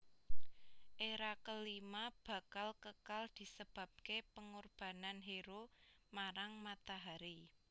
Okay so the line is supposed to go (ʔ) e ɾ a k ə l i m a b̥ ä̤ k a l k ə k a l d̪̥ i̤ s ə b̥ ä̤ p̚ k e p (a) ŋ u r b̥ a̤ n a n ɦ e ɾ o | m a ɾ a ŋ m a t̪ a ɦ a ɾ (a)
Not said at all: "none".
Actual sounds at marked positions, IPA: ʔ, ə, i

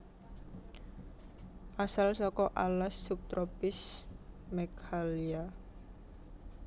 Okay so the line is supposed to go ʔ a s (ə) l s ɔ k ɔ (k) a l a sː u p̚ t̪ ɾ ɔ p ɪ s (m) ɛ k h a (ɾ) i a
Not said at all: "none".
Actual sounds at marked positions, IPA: a, ʔ, m, l

